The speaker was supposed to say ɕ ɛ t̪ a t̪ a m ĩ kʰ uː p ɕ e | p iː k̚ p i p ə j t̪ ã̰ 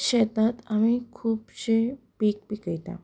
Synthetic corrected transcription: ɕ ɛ t̪ a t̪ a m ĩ kʰ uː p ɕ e | p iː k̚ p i k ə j t̪ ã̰